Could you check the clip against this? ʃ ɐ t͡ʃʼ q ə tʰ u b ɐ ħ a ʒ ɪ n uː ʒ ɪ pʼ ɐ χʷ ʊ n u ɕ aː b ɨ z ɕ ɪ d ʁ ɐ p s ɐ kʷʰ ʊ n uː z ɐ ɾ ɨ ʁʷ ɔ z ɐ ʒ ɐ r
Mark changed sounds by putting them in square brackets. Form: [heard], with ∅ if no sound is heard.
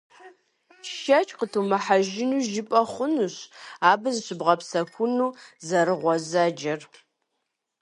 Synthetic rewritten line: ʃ ɐ t͡ʃʼ q ə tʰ u [m] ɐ ħ a ʒ ɪ n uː ʒ ɪ pʼ ɐ χʷ ʊ n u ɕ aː b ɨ z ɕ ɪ [b] ʁ ɐ p s ɐ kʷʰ ʊ n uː z ɐ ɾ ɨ ʁʷ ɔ z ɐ [d͡ʒ] ɐ r